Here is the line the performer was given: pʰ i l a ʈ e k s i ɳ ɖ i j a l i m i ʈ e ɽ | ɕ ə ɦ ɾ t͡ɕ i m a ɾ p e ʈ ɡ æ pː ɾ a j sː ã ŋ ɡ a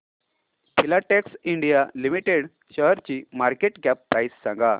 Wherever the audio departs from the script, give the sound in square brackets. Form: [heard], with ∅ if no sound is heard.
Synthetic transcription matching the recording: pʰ i l a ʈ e k s i ɳ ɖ i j a l i m i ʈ e ɽ | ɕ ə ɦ ɾ t͡ɕ i m a ɾ [k] e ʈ ɡ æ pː ɾ a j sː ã ŋ ɡ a